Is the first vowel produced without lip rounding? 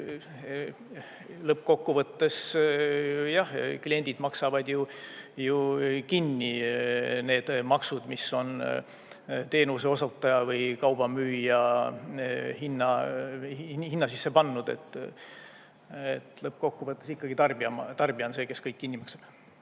yes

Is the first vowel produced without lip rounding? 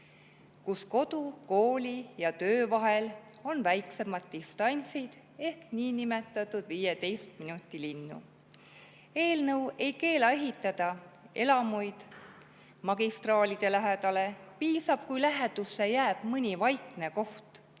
no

